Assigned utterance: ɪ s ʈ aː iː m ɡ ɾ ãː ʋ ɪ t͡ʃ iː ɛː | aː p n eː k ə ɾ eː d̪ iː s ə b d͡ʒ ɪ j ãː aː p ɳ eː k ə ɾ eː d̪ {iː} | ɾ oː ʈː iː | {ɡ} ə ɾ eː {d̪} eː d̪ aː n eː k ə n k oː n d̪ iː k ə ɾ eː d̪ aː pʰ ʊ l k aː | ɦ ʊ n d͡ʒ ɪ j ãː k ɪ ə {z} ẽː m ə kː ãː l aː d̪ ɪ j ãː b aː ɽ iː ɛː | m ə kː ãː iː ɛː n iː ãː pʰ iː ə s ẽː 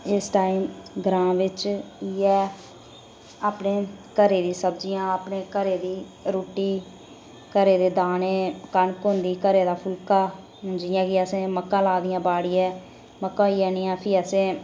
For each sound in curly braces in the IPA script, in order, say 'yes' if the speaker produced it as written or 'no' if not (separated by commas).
yes, no, yes, no